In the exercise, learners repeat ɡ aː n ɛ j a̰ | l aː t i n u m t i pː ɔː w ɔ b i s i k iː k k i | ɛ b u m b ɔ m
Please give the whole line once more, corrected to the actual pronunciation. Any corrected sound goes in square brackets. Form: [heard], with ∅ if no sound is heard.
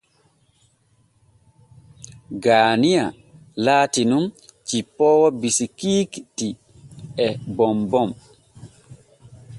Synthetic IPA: ɡ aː n [i] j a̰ | l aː t i n u m [t͡ʃ] i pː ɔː w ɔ b i s i k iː k [t] i | ɛ b [ɔ] m b ɔ m